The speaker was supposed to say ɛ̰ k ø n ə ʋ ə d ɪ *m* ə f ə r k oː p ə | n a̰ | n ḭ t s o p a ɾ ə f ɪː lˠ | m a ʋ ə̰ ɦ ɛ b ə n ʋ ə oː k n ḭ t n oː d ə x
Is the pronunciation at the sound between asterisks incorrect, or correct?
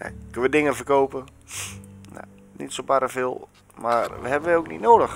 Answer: incorrect